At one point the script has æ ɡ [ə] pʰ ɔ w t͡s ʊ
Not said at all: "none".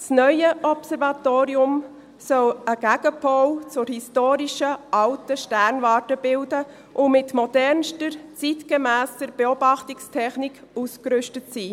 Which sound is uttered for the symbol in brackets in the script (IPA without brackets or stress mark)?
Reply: ə